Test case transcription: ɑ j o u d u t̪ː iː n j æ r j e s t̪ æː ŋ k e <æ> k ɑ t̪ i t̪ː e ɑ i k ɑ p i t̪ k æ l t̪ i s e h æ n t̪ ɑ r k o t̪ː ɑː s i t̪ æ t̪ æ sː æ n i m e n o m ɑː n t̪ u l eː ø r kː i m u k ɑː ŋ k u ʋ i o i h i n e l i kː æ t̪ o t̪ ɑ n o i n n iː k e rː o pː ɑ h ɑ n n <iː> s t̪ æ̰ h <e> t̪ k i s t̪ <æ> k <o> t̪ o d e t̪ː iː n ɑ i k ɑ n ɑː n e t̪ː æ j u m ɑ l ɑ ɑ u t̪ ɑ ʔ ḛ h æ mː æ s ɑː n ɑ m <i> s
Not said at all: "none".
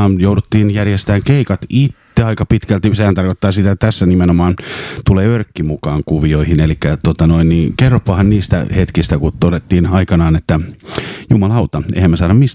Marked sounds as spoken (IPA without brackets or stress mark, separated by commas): i, iː, e, æ, u, i